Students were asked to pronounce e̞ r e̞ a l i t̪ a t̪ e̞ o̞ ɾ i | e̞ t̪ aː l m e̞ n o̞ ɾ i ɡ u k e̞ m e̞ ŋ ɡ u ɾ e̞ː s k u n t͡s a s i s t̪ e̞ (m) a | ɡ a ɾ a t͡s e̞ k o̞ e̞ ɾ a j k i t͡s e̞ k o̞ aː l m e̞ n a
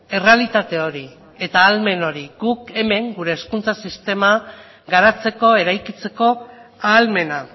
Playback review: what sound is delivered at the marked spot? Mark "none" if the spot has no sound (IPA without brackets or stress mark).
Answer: m